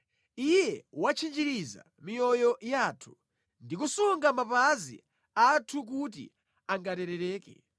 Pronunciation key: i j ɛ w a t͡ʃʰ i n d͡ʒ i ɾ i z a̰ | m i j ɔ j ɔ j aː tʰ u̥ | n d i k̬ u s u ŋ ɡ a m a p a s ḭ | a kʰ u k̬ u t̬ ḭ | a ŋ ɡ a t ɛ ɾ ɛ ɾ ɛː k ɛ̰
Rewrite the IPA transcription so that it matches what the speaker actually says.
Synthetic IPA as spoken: i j ɛ w a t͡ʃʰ i n d͡ʒ i ɾ i z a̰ | m i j ɔ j ɔ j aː tʰ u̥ | n d i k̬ u s u ŋ ɡ a m a p a z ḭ | a tʰ u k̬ u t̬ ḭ | a ŋ ɡ a t ɛ ɾ ɛ ɾ ɛː k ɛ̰